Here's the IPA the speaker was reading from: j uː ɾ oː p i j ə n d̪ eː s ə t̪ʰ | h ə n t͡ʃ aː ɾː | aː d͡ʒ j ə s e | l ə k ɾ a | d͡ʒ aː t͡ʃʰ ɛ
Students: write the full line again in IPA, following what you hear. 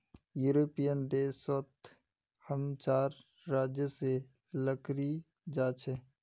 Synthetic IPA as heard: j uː ɾ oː p i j ə n d̪ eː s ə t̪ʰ | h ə m t͡ʃ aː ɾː | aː d͡ʒ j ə s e | l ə k ɾ i | d͡ʒ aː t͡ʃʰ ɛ